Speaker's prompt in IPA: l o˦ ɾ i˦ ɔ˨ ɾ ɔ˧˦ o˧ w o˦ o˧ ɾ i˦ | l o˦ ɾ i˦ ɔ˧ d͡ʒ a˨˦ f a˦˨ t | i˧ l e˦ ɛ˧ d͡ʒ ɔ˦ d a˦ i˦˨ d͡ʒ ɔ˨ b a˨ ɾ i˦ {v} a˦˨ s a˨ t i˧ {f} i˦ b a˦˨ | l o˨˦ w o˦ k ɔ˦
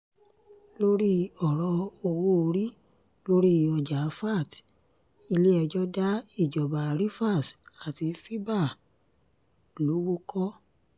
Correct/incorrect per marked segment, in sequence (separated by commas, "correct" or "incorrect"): incorrect, correct